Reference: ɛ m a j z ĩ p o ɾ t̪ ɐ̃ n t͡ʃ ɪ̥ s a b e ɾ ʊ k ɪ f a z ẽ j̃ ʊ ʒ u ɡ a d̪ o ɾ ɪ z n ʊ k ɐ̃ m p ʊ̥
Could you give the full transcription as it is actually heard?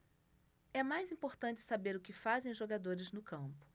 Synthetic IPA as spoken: ɛ m a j z ĩ p o ɾ t̪ ɐ̃ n t͡ʃ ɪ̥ s a b e ɾ ʊ k ɪ f a z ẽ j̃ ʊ ʒ o ɡ a d̪ o ɾ ɪ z n ʊ k ɐ̃ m p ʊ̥